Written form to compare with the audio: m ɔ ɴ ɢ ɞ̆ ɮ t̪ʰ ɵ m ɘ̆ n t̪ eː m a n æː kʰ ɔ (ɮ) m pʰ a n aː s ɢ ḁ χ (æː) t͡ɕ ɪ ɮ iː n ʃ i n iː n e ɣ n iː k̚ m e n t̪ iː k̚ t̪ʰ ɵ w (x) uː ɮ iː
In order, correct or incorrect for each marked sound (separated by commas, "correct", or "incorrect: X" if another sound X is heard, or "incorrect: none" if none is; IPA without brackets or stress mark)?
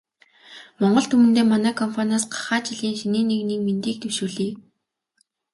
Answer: incorrect: none, incorrect: aː, incorrect: ʃ